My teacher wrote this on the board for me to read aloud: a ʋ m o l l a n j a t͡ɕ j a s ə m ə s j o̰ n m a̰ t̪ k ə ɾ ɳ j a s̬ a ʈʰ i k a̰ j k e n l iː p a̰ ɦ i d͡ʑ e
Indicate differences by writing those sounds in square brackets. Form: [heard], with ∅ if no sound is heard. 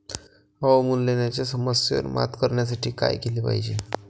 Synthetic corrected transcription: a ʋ m [u] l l [e] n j a t͡ɕ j a s ə m ə s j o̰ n m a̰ t̪ k ə ɾ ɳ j a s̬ a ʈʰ [iː] k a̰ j k e [∅] l iː p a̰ ɦ i d͡ʑ e